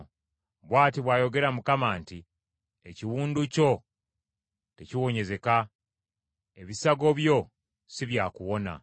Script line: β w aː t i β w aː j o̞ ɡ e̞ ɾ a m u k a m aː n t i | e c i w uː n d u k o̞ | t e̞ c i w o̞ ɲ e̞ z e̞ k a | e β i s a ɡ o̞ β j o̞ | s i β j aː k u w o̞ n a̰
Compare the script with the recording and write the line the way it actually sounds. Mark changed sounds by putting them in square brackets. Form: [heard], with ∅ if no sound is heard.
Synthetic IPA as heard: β w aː t i β w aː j o̞ ɡ e̞ ɾ a m u k a m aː n t i | e c i w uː n d u [c] o̞ | t e̞ c i w o̞ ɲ e̞ z e̞ k a | e β i s a ɡ o̞ β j o̞ | s i β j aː k u w o̞ n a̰